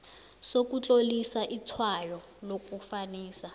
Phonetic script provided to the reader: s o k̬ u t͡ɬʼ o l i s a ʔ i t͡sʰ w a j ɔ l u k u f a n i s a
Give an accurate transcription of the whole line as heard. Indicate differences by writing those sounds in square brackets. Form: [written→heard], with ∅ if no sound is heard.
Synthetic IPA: s o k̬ u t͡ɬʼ o l i s a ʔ i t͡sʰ w a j ɔ l [u→o] k u f a n [i→iː] s a